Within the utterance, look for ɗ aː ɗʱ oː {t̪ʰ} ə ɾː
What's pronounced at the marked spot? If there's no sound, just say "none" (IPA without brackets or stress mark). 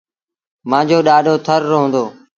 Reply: t̪ʰ